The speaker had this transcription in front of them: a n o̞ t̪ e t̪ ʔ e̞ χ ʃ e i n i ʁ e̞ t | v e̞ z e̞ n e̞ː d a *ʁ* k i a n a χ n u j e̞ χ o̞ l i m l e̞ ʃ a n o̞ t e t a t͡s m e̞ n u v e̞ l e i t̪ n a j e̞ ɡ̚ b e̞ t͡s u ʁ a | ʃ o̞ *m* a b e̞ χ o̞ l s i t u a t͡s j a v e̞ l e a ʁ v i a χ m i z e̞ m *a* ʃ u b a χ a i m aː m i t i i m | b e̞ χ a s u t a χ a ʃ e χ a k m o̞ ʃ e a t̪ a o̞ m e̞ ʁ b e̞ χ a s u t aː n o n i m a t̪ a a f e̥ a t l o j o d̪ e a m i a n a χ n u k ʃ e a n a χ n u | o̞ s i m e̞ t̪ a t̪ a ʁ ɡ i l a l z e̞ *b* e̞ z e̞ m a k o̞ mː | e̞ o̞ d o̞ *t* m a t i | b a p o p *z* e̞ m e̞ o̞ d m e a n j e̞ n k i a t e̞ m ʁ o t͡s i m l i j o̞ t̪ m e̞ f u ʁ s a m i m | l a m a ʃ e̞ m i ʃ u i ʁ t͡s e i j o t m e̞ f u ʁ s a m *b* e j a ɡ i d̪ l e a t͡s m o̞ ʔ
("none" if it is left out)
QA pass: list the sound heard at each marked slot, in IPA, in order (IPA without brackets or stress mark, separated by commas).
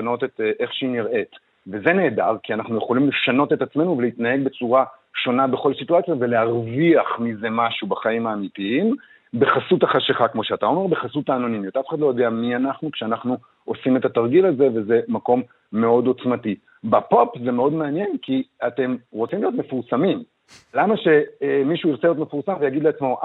ʁ, n, a, v, t͡s, z, v